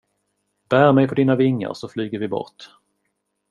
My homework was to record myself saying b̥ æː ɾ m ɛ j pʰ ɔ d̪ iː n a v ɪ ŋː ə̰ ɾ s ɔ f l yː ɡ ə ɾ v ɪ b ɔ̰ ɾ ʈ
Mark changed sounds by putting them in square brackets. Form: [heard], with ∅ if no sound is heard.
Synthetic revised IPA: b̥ æː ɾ m ɛ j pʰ ɔ d̪ iː n a v ɪ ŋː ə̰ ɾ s ɔ f l yː ɡ ə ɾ v ɪ b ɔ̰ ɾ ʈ